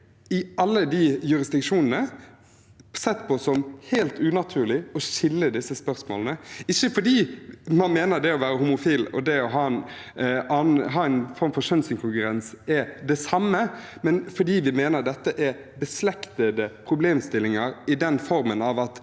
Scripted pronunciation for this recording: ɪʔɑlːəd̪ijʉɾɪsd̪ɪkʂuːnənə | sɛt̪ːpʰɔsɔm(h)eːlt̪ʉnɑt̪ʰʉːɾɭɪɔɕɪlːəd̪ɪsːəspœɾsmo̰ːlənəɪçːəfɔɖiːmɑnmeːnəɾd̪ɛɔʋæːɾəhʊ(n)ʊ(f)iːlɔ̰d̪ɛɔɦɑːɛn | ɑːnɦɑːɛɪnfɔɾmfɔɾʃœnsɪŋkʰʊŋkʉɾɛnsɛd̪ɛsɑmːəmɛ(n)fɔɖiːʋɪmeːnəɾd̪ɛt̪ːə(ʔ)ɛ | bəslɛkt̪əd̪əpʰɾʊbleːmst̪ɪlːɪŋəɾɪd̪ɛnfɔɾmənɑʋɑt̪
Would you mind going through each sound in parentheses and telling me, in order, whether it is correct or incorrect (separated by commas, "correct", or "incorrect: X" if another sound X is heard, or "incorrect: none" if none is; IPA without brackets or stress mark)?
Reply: correct, incorrect: m, correct, correct, correct